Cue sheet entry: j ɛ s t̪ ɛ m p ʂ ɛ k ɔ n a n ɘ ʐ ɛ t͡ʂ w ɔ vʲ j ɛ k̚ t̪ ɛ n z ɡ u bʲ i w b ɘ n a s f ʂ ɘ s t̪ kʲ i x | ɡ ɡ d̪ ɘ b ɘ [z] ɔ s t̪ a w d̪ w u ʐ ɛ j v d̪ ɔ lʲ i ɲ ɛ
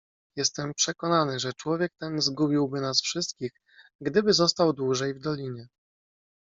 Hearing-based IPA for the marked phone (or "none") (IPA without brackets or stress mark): z